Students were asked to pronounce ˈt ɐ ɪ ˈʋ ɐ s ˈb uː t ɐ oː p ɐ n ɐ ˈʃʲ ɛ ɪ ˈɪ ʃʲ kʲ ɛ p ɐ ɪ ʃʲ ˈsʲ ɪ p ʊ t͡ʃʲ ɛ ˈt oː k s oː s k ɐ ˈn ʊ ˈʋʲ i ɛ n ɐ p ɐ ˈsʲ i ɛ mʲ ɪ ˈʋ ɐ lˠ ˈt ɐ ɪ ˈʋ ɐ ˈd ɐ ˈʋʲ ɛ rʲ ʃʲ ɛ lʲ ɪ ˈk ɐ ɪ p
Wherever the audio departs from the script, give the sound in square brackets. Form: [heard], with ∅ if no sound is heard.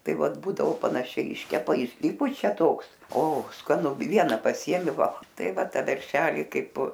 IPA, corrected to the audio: ˈt ɐ ɪ ˈʋ ɐ [t] ˈb uː [d] ɐ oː p ɐ n ɐ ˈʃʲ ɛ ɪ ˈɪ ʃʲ kʲ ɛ p ɐ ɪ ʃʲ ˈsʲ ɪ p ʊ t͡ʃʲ ɛ ˈt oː k s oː s k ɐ ˈn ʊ ˈʋʲ i ɛ n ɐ p ɐ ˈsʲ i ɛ mʲ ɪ ˈʋ ɐ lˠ ˈt ɐ ɪ ˈʋ ɐ [ˈt] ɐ ˈʋʲ ɛ rʲ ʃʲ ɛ lʲ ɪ ˈk ɐ ɪ p

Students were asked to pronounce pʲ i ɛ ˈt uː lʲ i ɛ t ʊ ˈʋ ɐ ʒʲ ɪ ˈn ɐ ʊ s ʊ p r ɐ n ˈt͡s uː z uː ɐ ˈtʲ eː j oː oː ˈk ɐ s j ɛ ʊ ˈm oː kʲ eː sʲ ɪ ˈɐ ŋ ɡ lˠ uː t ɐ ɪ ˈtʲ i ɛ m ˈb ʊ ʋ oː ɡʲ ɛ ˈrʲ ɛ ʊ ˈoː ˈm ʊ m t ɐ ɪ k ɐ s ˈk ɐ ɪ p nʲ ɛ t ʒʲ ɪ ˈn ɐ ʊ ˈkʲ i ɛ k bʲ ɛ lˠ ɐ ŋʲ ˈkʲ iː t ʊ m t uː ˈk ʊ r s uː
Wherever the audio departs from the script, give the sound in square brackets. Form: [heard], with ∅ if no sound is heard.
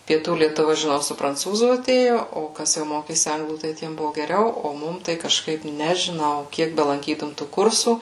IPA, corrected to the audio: pʲ i ɛ ˈt uː lʲ i ɛ t ʊ ˈʋ ɐ ʒʲ ɪ ˈn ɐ ʊ s ʊ p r ɐ n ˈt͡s uː z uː ɐ ˈtʲ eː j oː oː ˈk ɐ s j ɛ ʊ ˈm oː kʲ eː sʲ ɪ ˈɐ ŋ ɡ lˠ uː t ɐ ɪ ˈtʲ i ɛ m ˈb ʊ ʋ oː ɡʲ ɛ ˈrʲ ɛ ʊ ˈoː ˈm ʊ m t ɐ ɪ k ɐ [ʃ] ˈk ɐ ɪ p nʲ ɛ [∅] ʒʲ ɪ ˈn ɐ ʊ ˈkʲ i ɛ k bʲ ɛ lˠ ɐ ŋʲ ˈkʲ iː t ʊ m t uː ˈk ʊ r s uː

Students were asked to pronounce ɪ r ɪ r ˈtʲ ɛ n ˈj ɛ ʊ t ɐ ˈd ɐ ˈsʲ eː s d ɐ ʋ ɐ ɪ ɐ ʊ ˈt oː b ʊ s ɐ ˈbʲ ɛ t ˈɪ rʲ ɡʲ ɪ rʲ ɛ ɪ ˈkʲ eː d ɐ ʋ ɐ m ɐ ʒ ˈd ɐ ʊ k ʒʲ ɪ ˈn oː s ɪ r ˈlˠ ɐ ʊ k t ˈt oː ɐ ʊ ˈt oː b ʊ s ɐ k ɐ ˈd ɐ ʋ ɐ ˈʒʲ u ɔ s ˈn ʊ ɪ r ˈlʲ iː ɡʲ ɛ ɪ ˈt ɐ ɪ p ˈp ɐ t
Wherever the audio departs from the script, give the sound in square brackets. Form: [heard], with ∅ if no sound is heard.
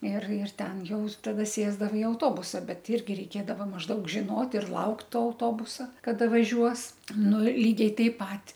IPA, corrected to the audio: ɪ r ɪ r ˈtʲ ɛ n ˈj ɛ ʊ t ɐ ˈd ɐ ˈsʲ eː [z] d ɐ ʋ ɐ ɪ ɐ ʊ ˈt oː b ʊ s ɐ ˈbʲ ɛ t ˈɪ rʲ ɡʲ ɪ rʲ ɛ ɪ ˈkʲ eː d ɐ ʋ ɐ m ɐ ʒ ˈd ɐ ʊ k ʒʲ ɪ ˈn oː [t] ɪ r ˈlˠ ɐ ʊ k t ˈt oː ɐ ʊ ˈt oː b ʊ s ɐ k ɐ ˈd ɐ ʋ ɐ ˈʒʲ u ɔ s ˈn ʊ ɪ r ˈlʲ iː ɡʲ ɛ ɪ ˈt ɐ ɪ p ˈp ɐ t

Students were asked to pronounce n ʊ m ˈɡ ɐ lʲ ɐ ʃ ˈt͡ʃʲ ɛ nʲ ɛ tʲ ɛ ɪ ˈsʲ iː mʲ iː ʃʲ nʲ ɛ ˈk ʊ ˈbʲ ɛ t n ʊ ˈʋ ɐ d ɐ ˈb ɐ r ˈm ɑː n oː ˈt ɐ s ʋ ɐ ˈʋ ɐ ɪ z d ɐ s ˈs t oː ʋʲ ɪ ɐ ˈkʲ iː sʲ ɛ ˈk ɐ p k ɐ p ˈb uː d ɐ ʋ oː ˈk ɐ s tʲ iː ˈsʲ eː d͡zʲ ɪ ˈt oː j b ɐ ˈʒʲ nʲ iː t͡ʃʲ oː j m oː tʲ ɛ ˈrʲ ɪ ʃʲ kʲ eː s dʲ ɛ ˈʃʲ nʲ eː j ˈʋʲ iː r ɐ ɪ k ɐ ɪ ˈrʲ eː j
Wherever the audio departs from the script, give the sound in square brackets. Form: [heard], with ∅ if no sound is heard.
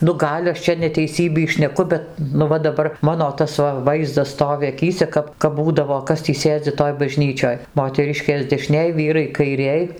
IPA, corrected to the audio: n ʊ [∅] ˈɡ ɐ lʲ ɐ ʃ ˈt͡ʃʲ ɛ nʲ ɛ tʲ ɛ ɪ ˈsʲ iː [bʲ] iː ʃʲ nʲ ɛ ˈk ʊ ˈbʲ ɛ t n ʊ ˈʋ ɐ d ɐ ˈb ɐ r ˈm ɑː n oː ˈt ɐ s ʋ ɐ ˈʋ ɐ ɪ z d ɐ s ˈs t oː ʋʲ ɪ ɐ ˈkʲ iː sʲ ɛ ˈk ɐ p k ɐ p ˈb uː d ɐ ʋ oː ˈk ɐ s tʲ iː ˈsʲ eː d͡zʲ ɪ ˈt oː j b ɐ ˈʒʲ nʲ iː t͡ʃʲ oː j m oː tʲ ɛ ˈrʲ ɪ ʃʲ kʲ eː s dʲ ɛ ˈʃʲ nʲ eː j ˈʋʲ iː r ɐ ɪ k ɐ ɪ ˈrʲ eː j

